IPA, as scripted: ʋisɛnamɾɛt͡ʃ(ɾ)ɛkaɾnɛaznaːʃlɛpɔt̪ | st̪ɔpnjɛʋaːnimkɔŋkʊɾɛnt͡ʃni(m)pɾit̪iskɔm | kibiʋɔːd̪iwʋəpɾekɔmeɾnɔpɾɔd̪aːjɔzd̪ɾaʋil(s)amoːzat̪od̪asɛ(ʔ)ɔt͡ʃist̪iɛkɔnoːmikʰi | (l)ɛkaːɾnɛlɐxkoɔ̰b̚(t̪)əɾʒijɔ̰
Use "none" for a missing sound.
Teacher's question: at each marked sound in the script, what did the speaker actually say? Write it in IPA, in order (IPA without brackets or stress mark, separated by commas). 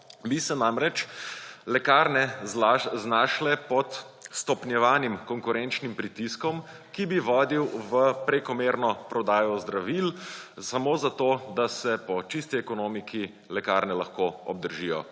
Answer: l, m, s, p, l, d̪